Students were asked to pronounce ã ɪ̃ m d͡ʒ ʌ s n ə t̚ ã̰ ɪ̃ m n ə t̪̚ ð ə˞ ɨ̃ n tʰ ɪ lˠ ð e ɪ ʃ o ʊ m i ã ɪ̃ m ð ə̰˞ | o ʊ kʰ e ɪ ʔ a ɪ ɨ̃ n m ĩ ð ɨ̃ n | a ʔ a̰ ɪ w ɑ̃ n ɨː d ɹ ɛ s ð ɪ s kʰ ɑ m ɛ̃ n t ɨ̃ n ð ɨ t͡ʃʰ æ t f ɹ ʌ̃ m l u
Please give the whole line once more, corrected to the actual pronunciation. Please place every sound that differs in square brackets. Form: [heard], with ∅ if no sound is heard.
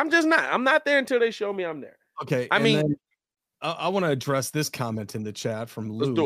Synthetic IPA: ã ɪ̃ m d͡ʒ ʌ s n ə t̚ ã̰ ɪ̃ m n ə t̪̚ ð ə˞ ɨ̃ n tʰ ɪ lˠ ð e ɪ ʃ o ʊ m i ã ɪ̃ m ð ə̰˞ | o ʊ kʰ e ɪ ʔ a ɪ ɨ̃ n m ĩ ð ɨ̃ n | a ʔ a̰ ɪ w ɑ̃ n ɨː d ɹ ɛ s ð ɪ s kʰ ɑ m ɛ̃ n t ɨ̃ n ð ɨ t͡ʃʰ æ t f ɹ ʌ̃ m l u